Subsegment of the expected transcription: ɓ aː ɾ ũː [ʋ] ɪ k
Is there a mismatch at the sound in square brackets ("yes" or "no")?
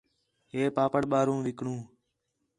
no